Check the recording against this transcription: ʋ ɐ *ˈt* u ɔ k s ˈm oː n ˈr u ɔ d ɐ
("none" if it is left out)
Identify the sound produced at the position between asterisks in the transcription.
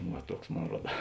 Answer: t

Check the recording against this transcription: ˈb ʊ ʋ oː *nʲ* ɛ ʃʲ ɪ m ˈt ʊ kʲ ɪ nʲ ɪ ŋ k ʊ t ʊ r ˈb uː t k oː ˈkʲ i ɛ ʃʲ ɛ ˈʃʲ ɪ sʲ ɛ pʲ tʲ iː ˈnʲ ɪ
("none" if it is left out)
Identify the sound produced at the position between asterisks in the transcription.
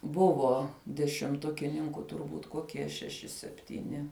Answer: dʲ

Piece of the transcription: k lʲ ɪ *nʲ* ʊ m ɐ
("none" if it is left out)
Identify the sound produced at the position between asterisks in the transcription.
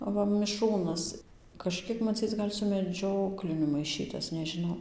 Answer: nʲ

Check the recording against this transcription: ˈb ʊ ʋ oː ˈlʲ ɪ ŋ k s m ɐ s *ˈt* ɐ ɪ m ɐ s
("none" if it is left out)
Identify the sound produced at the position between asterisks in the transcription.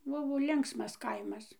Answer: k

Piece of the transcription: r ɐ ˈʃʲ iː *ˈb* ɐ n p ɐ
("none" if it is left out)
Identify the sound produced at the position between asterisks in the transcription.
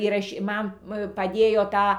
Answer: m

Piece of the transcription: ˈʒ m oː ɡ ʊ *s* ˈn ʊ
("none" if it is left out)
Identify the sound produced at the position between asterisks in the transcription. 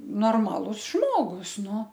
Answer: s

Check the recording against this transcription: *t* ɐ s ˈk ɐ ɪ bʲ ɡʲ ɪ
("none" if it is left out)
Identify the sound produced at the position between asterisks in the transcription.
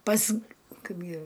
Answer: p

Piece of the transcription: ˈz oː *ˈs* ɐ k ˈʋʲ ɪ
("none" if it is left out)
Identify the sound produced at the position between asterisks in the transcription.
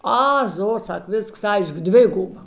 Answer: s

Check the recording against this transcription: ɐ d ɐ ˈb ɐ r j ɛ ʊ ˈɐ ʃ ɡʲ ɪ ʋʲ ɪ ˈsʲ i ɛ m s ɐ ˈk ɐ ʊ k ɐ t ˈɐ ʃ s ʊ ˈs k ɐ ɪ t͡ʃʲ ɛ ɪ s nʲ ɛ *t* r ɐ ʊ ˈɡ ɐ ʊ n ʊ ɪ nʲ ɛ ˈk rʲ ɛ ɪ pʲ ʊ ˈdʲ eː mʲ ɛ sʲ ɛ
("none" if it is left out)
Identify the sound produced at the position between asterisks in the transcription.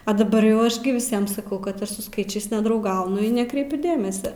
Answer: d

